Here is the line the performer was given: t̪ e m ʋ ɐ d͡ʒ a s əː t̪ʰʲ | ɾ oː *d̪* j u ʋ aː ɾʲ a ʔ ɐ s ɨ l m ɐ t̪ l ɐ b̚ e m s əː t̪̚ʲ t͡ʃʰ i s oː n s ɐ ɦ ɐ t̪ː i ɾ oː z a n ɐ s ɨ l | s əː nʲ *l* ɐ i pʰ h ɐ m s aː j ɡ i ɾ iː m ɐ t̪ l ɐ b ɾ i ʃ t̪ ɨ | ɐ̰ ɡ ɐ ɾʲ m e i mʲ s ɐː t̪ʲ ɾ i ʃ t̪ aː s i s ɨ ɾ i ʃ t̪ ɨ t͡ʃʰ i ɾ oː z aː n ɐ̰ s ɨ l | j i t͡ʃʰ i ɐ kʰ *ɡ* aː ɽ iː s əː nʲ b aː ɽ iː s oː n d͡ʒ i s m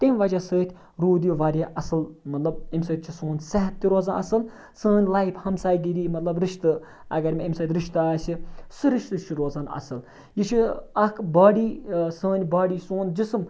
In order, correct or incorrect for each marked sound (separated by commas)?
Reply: correct, correct, incorrect